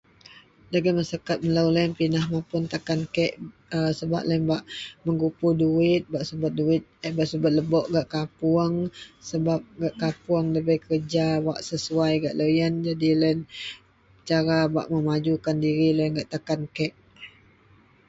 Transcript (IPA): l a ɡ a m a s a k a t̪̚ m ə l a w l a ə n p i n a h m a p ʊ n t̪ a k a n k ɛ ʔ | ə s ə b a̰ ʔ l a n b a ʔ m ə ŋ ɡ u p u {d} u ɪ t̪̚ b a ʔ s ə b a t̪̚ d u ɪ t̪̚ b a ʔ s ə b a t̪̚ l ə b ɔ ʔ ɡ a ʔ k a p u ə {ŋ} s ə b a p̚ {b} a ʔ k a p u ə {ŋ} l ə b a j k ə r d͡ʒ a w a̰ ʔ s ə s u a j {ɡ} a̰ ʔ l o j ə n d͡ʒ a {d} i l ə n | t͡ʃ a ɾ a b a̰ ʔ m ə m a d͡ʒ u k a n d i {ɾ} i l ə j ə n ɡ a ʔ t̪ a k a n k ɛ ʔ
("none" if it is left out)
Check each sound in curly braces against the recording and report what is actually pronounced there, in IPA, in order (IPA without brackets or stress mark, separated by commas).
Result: d, ŋ, ɡ, ŋ, ɡ, d, ɾ